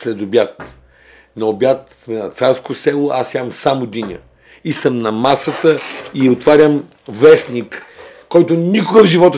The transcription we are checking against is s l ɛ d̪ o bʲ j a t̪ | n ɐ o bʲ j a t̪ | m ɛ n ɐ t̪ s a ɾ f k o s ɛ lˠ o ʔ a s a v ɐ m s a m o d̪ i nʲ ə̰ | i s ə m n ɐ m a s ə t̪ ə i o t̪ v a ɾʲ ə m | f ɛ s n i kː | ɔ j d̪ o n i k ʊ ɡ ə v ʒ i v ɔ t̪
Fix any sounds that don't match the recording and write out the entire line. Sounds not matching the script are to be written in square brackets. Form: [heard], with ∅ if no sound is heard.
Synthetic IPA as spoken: s l ɛ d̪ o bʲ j a t̪ | n ɐ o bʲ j a t̪ | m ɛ n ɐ t̪ s a ɾ [s] k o s ɛ lˠ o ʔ a s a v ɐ m s a m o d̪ i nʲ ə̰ | i s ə m n ɐ m a s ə t̪ ə i o t̪ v a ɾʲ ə m | [v] ɛ s n i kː | ɔ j [t̪] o n i k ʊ ɡ ə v ʒ i v ɔ t̪